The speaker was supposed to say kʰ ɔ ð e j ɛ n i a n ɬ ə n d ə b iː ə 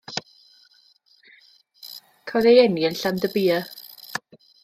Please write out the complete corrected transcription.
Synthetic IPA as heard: kʰ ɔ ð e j ɛ n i ə n ɬ a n d ə b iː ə

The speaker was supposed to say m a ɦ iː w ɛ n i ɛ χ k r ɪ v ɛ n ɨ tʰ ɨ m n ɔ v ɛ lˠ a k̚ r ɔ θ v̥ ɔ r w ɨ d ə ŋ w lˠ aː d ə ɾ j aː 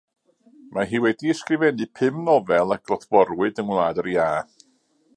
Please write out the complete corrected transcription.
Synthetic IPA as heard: m a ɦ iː w ɛ d i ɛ s k r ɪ v ɛ n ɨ pʰ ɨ m n ɔ v ɛ lˠ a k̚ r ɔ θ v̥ ɔ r w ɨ d ə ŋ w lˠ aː d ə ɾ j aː

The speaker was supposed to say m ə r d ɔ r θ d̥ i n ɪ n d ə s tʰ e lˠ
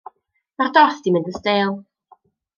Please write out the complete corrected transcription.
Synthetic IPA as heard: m a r d ɔ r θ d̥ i m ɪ n d ə s t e lˠ

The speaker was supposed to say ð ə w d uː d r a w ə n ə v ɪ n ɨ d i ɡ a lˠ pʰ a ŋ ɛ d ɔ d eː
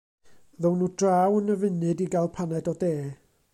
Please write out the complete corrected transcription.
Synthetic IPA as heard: ð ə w n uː d r a w ə n ə v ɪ n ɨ d i ɡ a lˠ pʰ a n ɛ d ɔ d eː

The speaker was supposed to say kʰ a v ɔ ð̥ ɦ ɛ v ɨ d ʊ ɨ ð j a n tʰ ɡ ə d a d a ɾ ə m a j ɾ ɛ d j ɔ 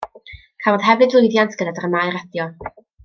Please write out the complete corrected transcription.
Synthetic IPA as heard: kʰ a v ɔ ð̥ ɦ ɛ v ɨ d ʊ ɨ ð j a n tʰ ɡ ə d a d a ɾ ə m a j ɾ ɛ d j ɔ

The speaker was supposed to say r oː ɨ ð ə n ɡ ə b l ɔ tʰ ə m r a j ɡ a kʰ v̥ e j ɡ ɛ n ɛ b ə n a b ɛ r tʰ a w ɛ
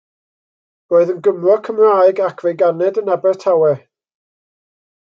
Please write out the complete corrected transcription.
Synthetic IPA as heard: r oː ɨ ð ə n ɡ ə m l ɔ kʰ ə m r a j ɡ a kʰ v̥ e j ɡ a n ɛ d ə n a b ɛ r tʰ a w ɛ

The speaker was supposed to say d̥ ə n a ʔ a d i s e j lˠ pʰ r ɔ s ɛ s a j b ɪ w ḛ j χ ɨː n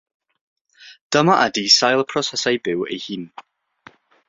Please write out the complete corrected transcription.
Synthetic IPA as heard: d̥ ə m a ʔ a d i s a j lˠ pʰ r ɔ s ɛ s a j b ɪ w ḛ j h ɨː n

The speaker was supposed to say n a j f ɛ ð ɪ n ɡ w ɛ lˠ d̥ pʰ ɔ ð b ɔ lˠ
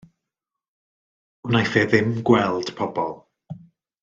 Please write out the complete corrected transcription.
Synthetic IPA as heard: n a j θ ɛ ð ɪ m ɡ w ɛ lˠ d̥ pʰ ɔ b ɔ lˠ

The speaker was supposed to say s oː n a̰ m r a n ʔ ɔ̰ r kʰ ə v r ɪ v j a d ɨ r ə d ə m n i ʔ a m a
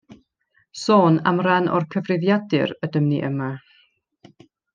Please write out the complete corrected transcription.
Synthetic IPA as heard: s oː n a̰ m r a n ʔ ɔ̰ r kʰ ə v r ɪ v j a d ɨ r ə d ə m n i ʔ ə m a

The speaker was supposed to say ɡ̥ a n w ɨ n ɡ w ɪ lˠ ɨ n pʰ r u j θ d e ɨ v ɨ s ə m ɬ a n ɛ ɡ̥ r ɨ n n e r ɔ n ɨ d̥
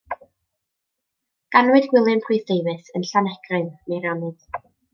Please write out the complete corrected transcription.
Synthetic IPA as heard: ɡ̥ a n w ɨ d ɡ w ɪ lˠ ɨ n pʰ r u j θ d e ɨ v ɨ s ə n ɬ a n ɛ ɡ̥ r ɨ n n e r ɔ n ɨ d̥

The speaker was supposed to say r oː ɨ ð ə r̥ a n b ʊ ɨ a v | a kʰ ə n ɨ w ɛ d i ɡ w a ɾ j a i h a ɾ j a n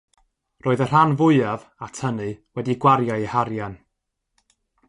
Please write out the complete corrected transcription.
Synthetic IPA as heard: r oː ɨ ð ə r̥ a n v ʊ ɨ a v | a tʰ ə n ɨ w ɛ d i ɡ w a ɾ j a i h a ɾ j a n

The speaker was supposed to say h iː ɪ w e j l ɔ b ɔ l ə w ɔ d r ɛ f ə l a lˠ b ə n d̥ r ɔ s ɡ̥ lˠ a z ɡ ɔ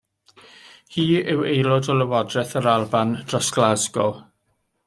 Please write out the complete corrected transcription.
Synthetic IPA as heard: h iː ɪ w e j l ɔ d ɔ l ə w ɔ d r ɛ θ ə ɾ a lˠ b a n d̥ r ɔ s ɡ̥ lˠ a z ɡ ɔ

